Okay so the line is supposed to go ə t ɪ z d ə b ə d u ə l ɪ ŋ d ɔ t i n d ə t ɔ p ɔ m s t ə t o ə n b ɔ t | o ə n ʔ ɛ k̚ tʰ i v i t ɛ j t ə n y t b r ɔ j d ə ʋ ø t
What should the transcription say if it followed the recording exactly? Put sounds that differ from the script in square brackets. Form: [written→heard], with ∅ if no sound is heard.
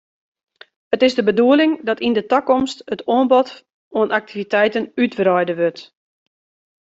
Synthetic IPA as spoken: ə t ɪ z d ə b ə d u ə l ɪ ŋ d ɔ t i n d ə t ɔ [p→k] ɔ m s t ə t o ə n b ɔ t | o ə n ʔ [ɛ→a] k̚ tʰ i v i t ɛ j t ə n y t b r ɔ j d ə ʋ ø t

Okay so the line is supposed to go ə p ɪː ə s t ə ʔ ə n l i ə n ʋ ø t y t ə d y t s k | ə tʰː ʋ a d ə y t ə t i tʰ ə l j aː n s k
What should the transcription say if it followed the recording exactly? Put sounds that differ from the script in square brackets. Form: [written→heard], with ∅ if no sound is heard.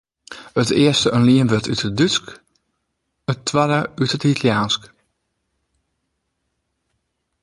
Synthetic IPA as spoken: ə [p→t] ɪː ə s t ə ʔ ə n l i ə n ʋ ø t y t ə d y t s k | ə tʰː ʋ a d ə y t ə t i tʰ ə l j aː n s k

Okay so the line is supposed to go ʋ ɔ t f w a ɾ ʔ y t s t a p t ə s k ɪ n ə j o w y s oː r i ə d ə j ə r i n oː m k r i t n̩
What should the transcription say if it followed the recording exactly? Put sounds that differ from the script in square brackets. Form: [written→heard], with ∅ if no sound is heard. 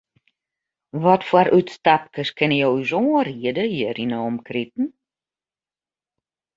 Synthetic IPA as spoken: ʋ ɔ t f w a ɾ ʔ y t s t a p [t→k] ə s k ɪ n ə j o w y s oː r i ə d ə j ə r i n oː m k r i t n̩

